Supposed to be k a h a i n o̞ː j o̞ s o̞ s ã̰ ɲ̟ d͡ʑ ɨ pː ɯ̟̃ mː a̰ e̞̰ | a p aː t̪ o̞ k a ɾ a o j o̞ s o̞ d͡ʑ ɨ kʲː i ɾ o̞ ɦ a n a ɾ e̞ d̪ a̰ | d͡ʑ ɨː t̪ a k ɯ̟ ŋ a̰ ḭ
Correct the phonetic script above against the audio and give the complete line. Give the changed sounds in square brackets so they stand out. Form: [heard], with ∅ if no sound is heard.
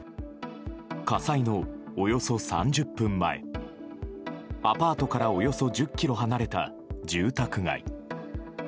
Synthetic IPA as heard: k a [s] a i n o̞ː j o̞ s o̞ s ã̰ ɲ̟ d͡ʑ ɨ pː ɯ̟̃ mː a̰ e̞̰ | a p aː t̪ o̞ k a ɾ a o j o̞ s o̞ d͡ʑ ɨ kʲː i ɾ o̞ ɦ a n a ɾ e̞ [t̪] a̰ | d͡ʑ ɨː t̪ a k ɯ̟ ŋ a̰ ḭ